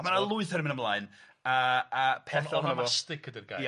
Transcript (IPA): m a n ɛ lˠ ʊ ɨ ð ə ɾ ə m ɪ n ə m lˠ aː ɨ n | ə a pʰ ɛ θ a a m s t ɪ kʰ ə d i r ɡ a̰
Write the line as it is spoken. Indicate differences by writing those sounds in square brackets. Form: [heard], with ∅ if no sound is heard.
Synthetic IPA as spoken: m a n [a] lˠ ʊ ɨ [θ] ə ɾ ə m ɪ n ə m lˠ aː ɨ n | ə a pʰ ɛ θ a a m s t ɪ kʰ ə d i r ɡ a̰